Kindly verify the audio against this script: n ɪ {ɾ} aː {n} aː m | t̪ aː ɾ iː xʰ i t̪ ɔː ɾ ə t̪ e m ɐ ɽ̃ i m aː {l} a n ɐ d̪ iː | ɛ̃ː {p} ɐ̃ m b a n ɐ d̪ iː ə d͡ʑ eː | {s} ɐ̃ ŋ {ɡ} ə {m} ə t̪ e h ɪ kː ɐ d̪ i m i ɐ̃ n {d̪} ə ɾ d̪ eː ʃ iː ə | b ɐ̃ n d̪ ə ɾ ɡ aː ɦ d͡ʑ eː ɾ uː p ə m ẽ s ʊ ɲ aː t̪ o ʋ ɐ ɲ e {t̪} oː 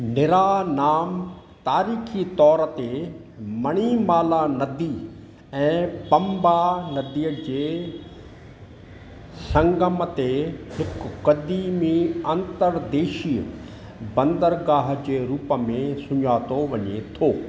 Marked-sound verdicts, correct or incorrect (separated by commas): correct, correct, correct, correct, correct, correct, correct, incorrect, incorrect